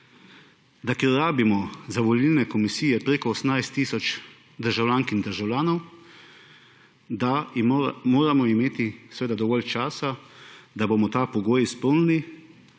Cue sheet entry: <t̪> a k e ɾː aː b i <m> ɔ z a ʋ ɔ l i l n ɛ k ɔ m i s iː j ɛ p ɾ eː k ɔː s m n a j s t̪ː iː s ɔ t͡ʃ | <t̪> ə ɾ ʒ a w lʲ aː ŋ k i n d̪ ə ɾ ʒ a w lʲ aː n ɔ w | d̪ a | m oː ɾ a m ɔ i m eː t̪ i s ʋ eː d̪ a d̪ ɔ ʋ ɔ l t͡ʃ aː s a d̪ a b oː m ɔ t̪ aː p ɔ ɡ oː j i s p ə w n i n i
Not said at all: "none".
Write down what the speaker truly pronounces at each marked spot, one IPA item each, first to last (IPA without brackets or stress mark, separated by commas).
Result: d̪, m, d̪